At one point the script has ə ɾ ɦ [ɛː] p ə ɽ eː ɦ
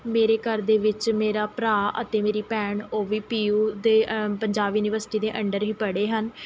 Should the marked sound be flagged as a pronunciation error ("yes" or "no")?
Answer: yes